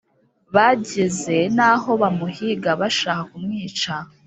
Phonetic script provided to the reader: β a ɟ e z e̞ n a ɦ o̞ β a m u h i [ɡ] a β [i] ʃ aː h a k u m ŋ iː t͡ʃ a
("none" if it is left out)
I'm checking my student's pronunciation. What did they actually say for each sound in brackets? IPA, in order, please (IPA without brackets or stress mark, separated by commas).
ɡ, a